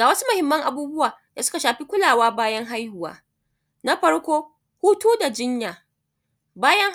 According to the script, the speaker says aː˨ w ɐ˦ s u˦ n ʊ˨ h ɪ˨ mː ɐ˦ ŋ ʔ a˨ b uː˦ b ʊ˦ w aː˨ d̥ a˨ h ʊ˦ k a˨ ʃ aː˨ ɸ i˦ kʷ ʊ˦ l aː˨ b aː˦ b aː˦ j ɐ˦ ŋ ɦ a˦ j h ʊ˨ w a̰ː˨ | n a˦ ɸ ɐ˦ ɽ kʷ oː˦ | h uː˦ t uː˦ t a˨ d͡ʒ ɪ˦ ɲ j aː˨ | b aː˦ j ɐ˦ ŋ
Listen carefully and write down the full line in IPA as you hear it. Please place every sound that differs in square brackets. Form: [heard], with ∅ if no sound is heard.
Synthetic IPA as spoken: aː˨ w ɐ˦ s u˦ [m] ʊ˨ h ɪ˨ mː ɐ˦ ŋ ʔ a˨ b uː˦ b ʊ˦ w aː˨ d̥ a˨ [s] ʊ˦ k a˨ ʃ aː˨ ɸ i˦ kʷ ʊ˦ l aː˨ [w] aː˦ b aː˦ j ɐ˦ ŋ ɦ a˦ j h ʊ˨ w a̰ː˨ | n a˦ ɸ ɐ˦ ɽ kʷ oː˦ | h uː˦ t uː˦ [d] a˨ d͡ʒ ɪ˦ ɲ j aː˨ | b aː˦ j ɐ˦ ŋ